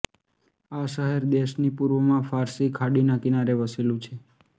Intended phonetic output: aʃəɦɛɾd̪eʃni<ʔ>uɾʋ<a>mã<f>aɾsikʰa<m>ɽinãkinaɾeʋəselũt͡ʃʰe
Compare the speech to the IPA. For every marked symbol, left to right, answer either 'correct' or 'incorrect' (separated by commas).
incorrect, incorrect, correct, incorrect